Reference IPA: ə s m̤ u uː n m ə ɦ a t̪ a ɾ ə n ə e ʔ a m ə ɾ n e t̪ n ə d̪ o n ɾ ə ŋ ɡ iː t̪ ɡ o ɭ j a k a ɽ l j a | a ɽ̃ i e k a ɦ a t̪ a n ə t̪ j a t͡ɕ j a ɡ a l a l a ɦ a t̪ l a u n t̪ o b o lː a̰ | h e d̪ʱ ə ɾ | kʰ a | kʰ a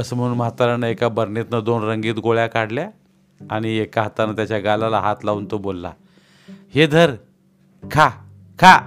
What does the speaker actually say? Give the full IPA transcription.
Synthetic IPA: ə s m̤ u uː n m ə ɦ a t̪ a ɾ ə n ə e k a b ə ɾ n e t̪ n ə d̪ o n ɾ ə ŋ ɡ iː t̪ ɡ o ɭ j a k a ɽ l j a | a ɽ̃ i e k a ɦ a t̪ a n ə t̪ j a t͡ɕ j a ɡ a l a l a ɦ a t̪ l a u n t̪ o b o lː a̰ | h e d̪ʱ ə ɾ | kʰ a | kʰ a